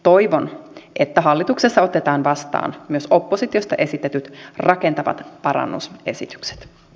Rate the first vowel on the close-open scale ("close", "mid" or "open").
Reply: mid